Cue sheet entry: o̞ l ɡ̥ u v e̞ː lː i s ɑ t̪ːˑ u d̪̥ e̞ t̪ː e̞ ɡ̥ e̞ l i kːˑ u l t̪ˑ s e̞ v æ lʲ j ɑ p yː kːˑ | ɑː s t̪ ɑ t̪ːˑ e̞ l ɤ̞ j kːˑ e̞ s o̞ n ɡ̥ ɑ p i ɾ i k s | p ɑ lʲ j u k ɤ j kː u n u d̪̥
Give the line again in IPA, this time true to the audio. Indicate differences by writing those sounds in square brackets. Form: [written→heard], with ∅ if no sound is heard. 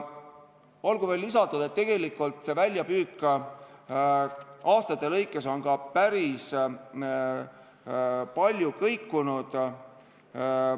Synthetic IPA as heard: o̞ l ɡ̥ u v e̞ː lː i s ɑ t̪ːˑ u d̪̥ e̞ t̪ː e̞ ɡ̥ e̞ l i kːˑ u l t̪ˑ s e̞ v æ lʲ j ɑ p yː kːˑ | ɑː s t̪ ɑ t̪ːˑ e̞ l ɤ̞ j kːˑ e̞ s o̞ n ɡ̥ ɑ p [i→æ] ɾ i [k→∅] s | p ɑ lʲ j u k ɤ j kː u n u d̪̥